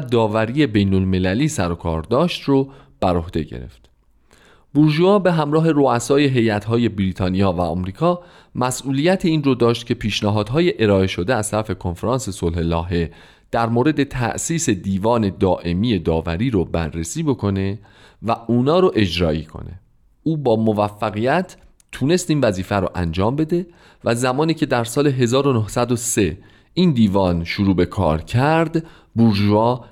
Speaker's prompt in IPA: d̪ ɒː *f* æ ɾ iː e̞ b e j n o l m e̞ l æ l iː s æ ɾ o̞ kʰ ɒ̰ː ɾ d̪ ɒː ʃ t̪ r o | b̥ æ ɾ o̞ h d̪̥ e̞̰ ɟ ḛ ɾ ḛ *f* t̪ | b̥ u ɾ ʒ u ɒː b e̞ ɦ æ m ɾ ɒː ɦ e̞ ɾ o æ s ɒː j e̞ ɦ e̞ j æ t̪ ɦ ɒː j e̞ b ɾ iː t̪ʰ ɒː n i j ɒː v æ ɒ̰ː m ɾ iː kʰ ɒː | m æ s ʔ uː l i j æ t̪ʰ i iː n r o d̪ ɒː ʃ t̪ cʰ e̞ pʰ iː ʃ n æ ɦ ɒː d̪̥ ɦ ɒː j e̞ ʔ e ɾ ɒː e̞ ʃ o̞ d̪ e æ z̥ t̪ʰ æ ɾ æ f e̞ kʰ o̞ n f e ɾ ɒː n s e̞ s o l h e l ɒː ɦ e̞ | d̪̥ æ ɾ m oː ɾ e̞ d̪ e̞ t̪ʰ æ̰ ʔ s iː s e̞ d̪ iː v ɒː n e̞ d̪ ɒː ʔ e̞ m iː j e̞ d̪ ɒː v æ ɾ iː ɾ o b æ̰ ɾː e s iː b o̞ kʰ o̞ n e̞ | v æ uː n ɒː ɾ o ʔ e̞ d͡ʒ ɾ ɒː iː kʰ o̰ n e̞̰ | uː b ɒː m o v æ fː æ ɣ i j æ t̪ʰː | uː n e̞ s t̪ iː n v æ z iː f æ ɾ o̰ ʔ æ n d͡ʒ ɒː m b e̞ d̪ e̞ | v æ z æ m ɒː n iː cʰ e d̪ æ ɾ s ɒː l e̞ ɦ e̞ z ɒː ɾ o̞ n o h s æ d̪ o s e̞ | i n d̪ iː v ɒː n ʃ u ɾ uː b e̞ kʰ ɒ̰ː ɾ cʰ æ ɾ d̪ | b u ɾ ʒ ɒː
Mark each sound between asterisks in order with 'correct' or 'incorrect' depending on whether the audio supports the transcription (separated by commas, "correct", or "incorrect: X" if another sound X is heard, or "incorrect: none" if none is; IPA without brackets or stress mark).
incorrect: v, correct